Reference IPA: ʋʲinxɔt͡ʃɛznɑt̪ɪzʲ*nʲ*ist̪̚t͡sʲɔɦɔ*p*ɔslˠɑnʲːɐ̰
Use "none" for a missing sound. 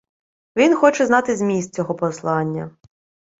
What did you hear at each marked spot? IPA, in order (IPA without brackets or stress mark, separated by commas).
mʲ, p